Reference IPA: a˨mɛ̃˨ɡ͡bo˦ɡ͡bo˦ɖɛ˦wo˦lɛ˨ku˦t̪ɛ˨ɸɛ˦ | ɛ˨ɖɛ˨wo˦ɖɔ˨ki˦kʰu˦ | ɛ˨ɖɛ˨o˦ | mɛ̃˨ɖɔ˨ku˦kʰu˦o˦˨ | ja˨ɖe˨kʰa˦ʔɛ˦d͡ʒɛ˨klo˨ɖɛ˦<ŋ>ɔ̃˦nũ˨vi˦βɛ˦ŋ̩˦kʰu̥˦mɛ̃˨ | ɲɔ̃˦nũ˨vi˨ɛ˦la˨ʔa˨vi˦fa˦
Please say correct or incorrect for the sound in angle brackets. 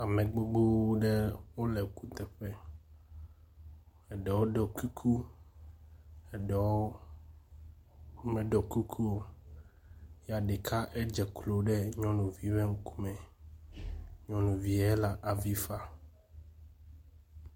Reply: incorrect: ɲ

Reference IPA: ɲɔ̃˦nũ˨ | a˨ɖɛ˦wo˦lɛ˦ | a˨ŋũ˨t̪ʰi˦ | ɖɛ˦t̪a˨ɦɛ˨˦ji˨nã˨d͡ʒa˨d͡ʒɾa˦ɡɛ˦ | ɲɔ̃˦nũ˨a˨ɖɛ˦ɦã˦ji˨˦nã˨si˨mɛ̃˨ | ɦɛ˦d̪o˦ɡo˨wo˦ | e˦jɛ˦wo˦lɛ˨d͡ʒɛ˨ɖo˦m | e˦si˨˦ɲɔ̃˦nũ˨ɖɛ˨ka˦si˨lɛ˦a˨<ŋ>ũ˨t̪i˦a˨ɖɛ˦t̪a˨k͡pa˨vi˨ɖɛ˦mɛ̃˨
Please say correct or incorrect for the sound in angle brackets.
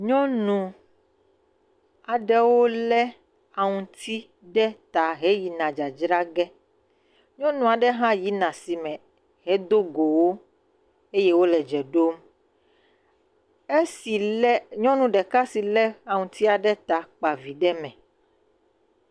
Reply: correct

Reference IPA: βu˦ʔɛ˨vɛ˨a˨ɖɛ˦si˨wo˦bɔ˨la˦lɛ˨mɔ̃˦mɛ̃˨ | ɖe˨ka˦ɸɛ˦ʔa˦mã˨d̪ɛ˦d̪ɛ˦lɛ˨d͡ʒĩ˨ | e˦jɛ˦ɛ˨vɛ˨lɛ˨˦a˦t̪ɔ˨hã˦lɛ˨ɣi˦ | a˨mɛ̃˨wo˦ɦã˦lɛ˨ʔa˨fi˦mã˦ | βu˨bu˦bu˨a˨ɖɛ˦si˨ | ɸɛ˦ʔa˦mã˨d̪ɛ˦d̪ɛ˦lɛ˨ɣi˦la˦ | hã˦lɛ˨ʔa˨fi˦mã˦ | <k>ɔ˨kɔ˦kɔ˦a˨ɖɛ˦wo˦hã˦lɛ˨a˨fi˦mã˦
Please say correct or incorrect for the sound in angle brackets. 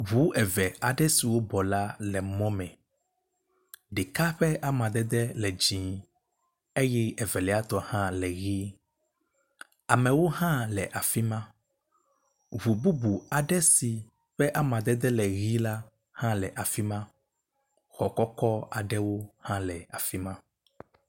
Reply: incorrect: x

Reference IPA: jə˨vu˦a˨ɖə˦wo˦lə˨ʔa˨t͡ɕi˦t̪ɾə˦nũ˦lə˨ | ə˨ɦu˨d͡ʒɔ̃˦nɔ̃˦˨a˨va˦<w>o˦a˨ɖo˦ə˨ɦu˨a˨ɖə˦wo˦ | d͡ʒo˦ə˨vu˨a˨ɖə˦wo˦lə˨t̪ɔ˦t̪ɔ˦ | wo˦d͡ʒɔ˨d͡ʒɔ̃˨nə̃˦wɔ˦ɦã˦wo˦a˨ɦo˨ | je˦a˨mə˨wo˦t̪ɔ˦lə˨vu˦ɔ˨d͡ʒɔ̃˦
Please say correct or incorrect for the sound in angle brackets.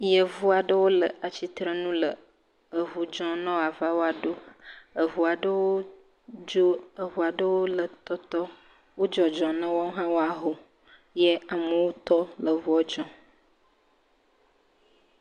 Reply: correct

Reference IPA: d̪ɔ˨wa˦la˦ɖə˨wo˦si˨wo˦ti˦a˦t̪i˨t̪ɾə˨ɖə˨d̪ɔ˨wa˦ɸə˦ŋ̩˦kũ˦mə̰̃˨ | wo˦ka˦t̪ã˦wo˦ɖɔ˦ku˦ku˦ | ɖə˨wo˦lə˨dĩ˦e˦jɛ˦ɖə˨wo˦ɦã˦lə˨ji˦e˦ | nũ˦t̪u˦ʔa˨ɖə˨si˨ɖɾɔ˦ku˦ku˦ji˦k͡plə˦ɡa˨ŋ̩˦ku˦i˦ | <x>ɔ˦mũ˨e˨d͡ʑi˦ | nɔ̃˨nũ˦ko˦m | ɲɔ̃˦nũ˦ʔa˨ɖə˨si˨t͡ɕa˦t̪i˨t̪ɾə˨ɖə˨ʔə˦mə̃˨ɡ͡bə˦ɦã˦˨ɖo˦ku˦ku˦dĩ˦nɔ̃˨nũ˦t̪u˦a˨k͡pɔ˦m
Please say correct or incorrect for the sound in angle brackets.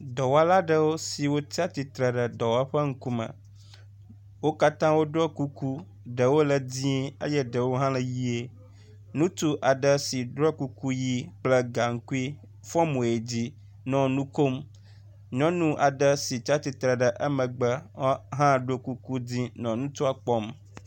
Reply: incorrect: f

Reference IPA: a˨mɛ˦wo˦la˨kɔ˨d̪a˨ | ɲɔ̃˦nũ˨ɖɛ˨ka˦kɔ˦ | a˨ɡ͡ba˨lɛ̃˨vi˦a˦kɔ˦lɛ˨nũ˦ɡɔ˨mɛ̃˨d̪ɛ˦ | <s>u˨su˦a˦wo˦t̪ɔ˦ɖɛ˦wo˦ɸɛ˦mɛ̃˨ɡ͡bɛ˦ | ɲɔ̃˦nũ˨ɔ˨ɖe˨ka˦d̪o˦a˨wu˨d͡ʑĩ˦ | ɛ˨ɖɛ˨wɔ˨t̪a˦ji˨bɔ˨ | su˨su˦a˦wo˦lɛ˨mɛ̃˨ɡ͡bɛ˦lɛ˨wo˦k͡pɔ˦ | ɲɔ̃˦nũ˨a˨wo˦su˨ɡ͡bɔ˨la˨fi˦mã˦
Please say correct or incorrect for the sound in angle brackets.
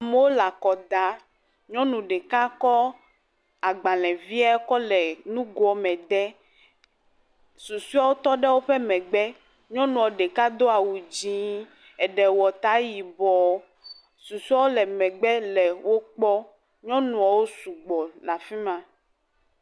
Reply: correct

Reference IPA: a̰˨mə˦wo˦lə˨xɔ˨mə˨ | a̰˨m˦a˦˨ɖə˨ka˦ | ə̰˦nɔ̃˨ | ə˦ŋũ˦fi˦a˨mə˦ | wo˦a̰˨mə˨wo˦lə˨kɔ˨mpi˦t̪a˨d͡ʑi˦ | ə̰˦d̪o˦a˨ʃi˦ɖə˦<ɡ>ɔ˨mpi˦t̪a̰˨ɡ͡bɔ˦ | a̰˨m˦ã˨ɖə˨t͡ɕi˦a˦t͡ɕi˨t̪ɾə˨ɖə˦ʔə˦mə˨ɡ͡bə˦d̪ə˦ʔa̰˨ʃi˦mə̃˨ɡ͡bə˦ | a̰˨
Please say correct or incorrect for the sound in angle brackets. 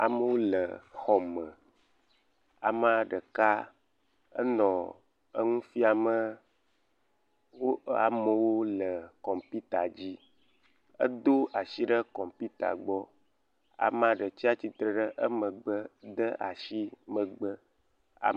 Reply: incorrect: k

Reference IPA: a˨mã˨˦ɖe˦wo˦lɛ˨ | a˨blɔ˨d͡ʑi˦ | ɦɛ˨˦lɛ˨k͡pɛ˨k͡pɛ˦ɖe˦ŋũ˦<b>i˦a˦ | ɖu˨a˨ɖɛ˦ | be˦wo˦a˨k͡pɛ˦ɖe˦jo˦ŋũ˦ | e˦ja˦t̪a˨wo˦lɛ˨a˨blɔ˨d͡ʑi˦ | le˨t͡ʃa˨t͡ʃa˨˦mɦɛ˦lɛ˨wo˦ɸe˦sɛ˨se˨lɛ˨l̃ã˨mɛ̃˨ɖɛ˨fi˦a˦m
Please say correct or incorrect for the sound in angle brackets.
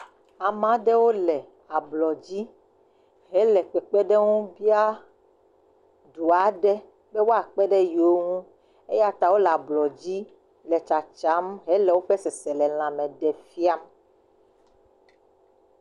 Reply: correct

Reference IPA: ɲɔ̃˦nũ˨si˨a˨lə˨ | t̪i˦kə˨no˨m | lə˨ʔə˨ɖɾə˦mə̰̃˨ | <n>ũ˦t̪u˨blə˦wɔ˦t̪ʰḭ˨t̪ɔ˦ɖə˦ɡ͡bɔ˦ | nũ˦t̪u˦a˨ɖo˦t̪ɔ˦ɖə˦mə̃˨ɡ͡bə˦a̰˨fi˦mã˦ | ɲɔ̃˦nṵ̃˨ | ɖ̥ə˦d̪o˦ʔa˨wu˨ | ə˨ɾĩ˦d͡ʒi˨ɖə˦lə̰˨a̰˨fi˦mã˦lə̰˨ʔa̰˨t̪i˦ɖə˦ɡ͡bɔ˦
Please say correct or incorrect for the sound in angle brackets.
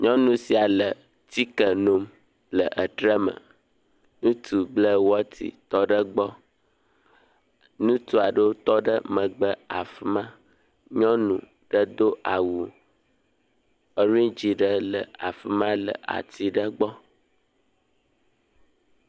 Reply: correct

